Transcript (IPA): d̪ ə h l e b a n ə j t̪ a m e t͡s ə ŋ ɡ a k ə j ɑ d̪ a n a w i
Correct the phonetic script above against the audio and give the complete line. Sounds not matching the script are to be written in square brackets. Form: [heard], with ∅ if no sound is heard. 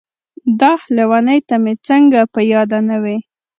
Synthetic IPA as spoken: d̪ [ɑ] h l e [w] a n ə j t̪ a m e t͡s ə ŋ ɡ a [p] ə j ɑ d̪ a n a w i